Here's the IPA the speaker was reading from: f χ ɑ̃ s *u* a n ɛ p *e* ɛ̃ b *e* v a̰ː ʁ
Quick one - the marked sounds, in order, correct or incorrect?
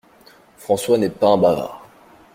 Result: incorrect: w, incorrect: a, incorrect: a

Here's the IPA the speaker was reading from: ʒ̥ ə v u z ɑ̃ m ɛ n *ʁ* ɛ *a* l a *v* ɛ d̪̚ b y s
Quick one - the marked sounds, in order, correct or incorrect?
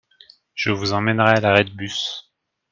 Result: correct, correct, incorrect: ʁ

